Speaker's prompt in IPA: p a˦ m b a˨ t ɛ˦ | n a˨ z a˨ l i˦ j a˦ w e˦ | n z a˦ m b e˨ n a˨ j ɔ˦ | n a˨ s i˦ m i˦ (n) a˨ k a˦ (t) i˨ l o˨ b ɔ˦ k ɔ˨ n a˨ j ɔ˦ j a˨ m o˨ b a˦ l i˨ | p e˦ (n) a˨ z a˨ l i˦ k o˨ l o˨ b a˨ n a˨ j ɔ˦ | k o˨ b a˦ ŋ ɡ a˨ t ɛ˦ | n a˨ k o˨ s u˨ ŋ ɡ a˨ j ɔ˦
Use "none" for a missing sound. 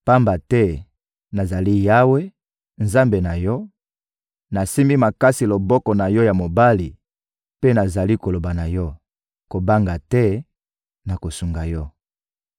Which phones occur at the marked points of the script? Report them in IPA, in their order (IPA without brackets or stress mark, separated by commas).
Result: m, s, n